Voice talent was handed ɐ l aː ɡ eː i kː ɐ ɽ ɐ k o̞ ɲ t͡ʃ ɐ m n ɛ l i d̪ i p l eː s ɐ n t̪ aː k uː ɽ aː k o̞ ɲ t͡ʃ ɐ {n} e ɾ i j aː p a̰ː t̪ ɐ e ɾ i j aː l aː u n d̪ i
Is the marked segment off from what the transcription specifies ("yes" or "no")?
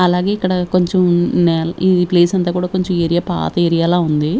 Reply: yes